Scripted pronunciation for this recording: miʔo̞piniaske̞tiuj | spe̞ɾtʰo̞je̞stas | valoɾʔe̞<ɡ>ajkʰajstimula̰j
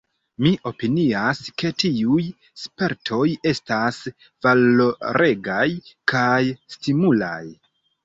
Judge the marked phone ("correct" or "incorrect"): correct